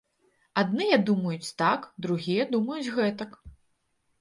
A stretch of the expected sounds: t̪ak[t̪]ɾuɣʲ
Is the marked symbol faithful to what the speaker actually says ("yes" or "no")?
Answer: no